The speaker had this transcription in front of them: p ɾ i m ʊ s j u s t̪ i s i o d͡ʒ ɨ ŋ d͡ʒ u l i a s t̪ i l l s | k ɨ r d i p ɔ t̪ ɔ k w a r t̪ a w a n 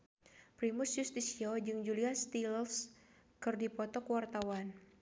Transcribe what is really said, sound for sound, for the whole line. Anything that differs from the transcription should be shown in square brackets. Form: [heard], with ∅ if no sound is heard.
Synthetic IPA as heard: p ɾ i m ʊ s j u s t̪ i s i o d͡ʒ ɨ ŋ d͡ʒ u l i a s t̪ i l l s | k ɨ r d i p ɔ t̪ ɔ k w a r t̪ a w a n